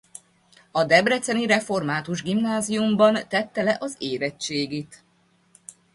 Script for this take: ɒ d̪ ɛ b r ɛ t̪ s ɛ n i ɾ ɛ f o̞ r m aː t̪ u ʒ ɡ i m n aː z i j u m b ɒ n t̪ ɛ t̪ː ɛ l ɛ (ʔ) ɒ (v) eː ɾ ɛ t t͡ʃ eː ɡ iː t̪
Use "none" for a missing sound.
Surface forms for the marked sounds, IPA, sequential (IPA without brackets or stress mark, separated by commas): ʔ, z